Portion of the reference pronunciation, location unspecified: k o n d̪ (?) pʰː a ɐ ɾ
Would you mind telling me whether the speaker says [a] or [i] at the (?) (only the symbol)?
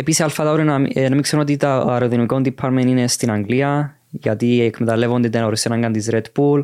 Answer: i